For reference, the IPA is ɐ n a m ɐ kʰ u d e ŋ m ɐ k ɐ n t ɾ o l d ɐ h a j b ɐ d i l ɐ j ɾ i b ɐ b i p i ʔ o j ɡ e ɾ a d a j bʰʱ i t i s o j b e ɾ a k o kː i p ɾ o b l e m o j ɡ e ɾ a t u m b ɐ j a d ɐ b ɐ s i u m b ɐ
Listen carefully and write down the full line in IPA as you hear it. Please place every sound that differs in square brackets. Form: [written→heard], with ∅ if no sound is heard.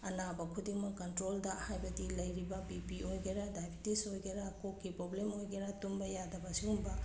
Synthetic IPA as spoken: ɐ n a [m→b] ɐ kʰ u d [e→i] ŋ m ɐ k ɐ n t ɾ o l d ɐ h a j b ɐ d i l ɐ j ɾ i b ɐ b i p i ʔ o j ɡ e ɾ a d a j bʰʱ i t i s o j [b→ɡ] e ɾ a k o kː i p ɾ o b l e m o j ɡ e ɾ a t u m b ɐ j a d ɐ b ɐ s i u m b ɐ